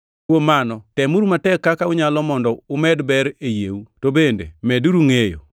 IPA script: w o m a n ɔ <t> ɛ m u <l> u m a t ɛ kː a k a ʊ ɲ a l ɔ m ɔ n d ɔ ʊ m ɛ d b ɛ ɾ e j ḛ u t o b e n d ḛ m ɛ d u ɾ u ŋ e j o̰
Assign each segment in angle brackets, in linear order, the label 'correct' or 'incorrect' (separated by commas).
correct, incorrect